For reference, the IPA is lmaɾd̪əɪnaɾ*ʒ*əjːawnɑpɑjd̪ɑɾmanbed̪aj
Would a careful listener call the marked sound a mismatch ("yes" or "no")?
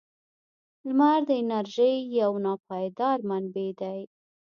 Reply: no